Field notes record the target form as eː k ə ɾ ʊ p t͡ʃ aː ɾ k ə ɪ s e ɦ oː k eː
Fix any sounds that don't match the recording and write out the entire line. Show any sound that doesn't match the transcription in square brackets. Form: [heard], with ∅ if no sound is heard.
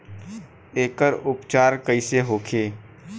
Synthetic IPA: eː k ə ɾ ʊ p t͡ʃ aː ɾ k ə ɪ s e ɦ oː [kʰ] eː

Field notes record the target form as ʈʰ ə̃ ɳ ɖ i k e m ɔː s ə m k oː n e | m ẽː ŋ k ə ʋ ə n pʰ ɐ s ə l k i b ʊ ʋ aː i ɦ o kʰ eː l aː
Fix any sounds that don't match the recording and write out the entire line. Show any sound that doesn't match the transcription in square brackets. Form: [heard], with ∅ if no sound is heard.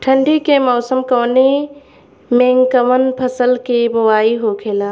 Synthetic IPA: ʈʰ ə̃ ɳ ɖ i k e m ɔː s ə m k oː n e | m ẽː ŋ k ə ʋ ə n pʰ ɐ s ə l k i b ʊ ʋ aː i ɦ o kʰ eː l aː

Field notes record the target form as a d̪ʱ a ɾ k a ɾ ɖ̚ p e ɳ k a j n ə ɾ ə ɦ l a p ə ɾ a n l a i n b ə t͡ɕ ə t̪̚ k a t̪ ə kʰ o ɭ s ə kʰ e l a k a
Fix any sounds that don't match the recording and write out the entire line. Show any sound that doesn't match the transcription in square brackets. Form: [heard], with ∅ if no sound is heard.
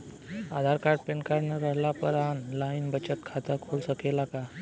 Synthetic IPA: a d̪ʱ a ɾ k a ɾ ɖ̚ p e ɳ k a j n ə ɾ ə ɦ l a p ə ɾ a n l a i n b ə t͡ɕ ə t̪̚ [kʰ] a t̪ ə kʰ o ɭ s ə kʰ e l a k a

